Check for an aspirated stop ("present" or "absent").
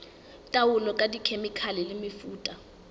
present